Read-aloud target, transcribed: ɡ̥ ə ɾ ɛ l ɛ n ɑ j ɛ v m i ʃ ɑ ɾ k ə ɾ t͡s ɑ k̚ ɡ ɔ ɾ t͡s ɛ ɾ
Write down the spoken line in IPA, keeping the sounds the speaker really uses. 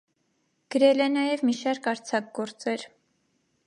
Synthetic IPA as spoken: ɡ̥ ə ɾ ɛ l ɛ n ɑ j ɛ v m i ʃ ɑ ɾ k ɑ ɾ t͡sʰ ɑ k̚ ɡ ɔ ɾ t͡s ɛ ɾ